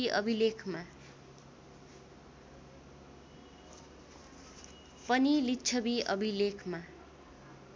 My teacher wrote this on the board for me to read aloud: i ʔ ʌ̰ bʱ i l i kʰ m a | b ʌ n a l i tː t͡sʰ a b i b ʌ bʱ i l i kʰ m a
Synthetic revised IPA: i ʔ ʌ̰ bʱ i l e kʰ m a | p ʌ n i l i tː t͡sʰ ʌ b i ʌ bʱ i l e kʰ m a